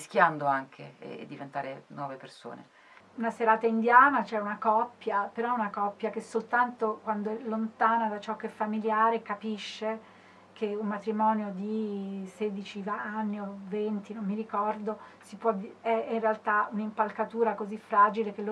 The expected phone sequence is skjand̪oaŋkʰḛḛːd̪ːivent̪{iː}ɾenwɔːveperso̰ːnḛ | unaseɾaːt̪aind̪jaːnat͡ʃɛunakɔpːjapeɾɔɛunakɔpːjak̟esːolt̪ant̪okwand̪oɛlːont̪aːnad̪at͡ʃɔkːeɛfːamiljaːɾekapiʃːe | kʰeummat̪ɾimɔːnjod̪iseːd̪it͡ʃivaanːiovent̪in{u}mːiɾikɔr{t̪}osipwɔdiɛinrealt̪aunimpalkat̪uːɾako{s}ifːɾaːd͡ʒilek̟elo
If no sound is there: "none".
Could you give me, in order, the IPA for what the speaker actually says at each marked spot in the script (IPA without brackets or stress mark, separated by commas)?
aː, o, d̪, z